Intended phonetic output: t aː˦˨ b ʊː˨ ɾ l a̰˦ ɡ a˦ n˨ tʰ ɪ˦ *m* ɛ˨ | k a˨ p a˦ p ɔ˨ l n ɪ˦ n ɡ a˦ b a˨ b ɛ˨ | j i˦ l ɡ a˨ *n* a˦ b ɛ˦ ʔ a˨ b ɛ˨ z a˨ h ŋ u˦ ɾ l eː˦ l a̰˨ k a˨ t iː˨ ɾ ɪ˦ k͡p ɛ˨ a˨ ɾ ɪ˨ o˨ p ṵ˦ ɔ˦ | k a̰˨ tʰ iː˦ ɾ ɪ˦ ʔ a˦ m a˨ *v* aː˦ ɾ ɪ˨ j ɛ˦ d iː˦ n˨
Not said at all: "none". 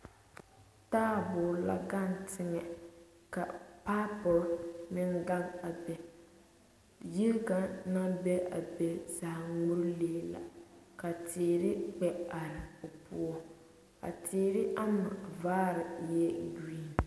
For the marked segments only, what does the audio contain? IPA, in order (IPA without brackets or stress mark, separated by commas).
ŋ, n, v